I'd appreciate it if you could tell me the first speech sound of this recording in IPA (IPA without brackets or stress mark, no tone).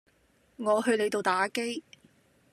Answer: ŋ